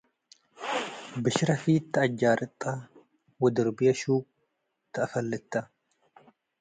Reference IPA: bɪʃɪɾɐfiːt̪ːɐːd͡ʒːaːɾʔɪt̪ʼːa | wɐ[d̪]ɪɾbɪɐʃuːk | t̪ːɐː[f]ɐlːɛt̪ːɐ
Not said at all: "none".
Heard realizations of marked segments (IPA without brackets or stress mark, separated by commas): d̪, f